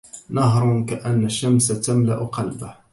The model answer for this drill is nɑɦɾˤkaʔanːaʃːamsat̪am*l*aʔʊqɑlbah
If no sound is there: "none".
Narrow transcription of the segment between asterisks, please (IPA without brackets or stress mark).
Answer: l